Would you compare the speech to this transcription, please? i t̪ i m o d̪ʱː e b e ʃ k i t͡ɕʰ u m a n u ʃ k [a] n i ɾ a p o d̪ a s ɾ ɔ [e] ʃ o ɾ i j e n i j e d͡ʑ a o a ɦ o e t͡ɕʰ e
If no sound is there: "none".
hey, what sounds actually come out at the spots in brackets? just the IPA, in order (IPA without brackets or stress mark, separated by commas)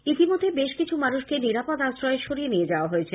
e, e